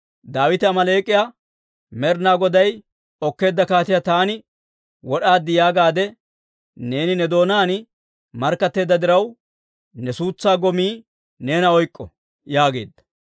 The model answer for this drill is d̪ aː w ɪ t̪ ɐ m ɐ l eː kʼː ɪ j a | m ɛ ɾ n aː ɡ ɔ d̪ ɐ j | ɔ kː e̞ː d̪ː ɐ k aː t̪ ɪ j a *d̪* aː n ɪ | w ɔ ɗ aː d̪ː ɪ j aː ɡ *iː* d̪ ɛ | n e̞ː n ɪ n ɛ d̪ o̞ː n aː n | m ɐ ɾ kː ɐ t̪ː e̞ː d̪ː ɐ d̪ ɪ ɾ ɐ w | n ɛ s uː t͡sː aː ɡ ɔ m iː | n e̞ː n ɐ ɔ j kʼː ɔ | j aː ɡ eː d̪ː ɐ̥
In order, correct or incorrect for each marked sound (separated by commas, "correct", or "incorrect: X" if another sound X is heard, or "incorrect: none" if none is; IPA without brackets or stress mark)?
incorrect: t̪, incorrect: aː